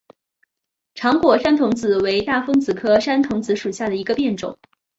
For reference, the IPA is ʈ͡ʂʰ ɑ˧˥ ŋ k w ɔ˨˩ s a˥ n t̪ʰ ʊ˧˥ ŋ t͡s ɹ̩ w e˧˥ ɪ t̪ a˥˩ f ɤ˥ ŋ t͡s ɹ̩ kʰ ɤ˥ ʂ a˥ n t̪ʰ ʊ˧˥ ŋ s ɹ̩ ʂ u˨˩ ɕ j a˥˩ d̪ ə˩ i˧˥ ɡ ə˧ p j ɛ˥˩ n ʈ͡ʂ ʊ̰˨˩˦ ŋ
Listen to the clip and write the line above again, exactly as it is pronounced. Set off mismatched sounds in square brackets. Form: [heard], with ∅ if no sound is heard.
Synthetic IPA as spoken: ʈ͡ʂʰ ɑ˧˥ ŋ k w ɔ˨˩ [ʂ] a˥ n t̪ʰ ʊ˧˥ ŋ t͡s ɹ̩ w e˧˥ ɪ t̪ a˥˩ f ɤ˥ ŋ t͡s ɹ̩ kʰ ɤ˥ ʂ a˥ n t̪ʰ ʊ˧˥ ŋ [t͡s] ɹ̩ ʂ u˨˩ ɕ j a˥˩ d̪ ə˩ i˧˥ ɡ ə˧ p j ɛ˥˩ n ʈ͡ʂ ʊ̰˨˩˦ ŋ